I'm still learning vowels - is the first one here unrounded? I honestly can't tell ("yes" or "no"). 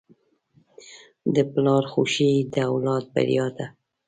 yes